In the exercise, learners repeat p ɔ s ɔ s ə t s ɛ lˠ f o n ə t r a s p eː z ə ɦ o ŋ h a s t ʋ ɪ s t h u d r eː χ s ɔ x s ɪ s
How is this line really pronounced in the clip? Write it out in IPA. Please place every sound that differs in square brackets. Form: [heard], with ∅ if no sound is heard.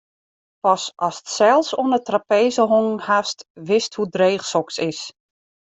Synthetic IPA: p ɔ s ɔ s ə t s ɛ lˠ [s] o n ə t r a [∅] p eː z ə ɦ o ŋ h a s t ʋ ɪ s t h u d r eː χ s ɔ [k] s ɪ s